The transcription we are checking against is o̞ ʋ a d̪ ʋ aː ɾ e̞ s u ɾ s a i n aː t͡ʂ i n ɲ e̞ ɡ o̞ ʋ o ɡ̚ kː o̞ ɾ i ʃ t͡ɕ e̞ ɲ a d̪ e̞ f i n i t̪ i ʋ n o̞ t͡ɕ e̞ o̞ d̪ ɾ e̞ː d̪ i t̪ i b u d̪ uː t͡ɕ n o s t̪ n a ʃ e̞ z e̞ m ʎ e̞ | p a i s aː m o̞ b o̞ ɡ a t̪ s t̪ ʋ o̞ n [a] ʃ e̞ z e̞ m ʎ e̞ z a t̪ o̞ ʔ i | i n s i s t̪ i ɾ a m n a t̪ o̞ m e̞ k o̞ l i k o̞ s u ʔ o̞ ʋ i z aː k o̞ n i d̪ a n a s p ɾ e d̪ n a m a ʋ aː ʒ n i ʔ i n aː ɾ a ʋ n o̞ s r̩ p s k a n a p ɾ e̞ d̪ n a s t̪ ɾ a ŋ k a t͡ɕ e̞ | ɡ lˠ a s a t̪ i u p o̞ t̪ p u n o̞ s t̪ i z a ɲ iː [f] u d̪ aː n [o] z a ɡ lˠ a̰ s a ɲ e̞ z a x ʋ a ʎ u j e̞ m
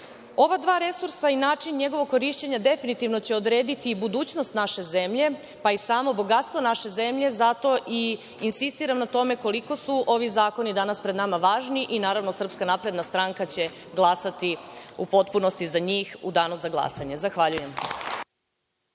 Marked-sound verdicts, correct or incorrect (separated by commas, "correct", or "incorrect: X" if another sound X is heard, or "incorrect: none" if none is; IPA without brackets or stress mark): correct, incorrect: x, incorrect: u